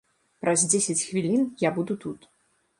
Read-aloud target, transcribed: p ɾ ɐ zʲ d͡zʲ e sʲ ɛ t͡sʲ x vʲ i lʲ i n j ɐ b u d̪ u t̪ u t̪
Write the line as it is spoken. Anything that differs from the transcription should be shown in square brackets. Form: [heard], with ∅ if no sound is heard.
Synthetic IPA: p ɾ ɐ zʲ d͡zʲ e sʲ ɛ t͡sʲ x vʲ i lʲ i n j [a] b u d̪ u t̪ u t̪